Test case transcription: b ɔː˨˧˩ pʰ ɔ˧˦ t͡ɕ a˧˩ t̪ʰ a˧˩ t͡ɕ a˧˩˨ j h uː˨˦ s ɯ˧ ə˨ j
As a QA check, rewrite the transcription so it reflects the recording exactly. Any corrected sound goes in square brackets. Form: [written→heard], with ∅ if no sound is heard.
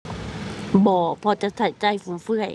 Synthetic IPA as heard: b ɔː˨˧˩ pʰ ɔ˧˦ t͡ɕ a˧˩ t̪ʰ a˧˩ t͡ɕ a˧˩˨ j [h→f] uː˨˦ [s→f] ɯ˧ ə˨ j